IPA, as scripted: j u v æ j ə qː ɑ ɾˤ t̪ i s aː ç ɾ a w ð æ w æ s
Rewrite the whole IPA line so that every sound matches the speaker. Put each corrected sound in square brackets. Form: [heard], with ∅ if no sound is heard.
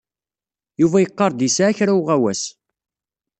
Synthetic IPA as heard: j u v æ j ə qː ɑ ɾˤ [d̪] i s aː ç ɾ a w [ʁ] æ w æ s